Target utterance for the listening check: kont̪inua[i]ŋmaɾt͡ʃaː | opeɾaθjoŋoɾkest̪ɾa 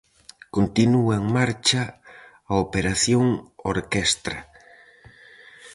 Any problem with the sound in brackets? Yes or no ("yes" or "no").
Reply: yes